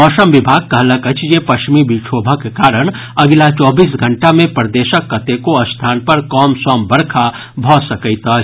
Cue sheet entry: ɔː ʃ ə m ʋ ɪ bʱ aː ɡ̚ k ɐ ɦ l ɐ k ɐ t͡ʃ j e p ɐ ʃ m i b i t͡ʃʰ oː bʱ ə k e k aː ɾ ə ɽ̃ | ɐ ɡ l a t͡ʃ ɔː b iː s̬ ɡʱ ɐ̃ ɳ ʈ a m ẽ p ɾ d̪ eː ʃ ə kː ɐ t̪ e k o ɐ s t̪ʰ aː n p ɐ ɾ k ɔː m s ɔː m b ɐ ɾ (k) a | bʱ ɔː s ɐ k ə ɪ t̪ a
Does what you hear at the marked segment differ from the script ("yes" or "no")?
yes